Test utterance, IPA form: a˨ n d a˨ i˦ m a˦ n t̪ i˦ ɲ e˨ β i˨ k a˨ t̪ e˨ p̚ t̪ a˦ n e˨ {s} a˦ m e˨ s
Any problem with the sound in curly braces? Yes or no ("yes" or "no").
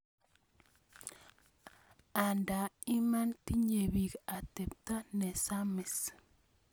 no